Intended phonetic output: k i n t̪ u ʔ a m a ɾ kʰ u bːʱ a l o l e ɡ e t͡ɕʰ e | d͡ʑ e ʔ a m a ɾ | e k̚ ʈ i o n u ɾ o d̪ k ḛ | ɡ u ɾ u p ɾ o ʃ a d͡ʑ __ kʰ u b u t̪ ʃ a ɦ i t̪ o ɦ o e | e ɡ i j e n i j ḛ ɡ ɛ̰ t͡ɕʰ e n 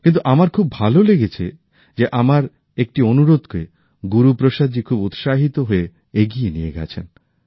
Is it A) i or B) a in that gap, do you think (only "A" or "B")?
A